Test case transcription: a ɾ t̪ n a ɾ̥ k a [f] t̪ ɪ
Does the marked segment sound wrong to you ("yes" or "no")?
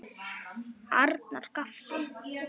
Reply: no